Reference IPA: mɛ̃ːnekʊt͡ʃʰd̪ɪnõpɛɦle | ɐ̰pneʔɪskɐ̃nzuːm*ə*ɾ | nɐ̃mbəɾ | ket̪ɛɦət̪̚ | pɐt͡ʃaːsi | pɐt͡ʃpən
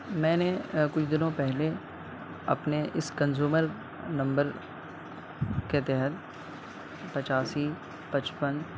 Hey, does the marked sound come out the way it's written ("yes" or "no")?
yes